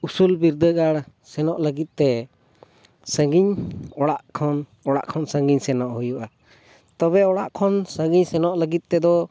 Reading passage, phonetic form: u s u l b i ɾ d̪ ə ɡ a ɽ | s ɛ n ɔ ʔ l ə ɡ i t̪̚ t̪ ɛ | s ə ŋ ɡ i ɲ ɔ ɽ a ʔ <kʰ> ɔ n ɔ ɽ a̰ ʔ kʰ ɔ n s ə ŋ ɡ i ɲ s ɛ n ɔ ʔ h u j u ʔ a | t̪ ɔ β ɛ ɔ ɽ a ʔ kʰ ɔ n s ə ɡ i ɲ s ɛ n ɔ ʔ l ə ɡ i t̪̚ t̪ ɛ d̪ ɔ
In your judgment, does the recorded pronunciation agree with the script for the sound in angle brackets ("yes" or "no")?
yes